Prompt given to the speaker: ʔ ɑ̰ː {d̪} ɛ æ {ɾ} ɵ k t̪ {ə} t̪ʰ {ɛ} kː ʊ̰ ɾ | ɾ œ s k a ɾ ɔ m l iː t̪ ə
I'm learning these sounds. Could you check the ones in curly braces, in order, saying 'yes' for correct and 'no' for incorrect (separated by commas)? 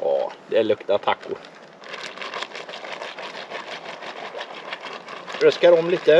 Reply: yes, no, no, no